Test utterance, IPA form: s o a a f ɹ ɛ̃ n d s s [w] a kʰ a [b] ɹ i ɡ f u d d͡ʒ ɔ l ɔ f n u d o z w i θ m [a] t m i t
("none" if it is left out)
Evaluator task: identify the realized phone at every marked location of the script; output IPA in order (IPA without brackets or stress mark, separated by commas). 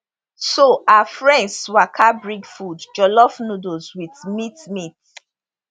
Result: w, b, i